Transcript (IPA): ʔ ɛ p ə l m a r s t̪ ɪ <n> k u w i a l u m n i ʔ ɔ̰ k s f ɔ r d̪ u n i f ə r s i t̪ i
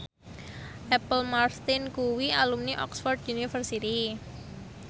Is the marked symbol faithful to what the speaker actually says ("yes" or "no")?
yes